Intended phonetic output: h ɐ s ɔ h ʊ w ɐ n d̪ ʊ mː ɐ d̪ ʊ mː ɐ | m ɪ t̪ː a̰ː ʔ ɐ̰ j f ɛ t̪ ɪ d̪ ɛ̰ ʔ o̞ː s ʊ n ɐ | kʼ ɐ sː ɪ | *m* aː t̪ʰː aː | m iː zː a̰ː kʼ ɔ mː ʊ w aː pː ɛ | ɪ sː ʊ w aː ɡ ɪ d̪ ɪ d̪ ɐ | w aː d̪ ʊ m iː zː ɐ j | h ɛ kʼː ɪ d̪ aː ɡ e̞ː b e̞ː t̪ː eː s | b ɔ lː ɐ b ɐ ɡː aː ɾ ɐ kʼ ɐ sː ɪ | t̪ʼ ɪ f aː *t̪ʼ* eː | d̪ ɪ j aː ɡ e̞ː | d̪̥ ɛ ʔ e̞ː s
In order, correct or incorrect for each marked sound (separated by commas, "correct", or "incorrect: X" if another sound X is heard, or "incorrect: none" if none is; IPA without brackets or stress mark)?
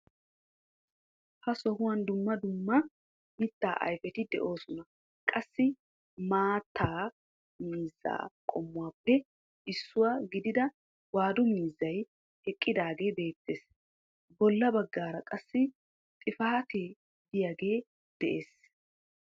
correct, incorrect: t̪